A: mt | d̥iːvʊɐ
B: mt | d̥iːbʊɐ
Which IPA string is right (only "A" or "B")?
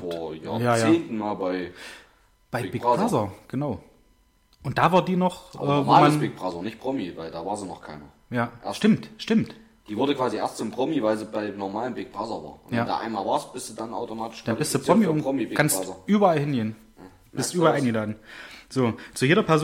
A